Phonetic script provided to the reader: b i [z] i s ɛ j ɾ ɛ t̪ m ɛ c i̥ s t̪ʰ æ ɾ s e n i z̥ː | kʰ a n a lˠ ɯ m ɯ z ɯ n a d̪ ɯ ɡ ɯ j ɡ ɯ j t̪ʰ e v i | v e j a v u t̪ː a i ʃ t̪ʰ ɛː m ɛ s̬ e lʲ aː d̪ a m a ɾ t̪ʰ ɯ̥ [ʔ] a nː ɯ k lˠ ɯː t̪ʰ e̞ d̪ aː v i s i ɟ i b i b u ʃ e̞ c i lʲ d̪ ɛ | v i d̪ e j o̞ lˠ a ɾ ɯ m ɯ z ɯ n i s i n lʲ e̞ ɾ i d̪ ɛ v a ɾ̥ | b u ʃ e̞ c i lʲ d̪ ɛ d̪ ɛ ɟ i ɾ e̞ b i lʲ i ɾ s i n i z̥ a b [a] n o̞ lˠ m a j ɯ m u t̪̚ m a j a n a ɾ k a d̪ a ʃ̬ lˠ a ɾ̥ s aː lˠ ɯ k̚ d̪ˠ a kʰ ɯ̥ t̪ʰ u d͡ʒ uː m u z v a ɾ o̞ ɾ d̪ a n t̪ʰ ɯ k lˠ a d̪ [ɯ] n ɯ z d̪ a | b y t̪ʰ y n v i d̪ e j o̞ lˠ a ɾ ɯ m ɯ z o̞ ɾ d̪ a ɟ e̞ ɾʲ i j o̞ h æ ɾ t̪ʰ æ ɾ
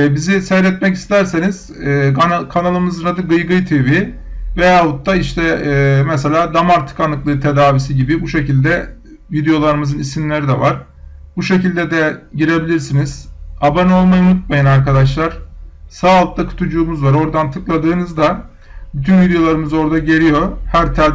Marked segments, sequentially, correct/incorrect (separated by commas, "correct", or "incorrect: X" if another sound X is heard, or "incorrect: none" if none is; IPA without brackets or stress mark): correct, incorrect: k, correct, incorrect: ɯː